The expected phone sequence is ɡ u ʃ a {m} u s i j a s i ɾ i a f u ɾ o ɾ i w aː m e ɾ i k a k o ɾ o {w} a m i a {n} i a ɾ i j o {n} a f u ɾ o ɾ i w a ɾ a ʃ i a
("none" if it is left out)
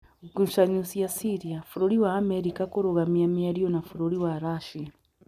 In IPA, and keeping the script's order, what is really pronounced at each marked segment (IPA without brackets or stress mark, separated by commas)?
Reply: ɲ, ɣ, m, n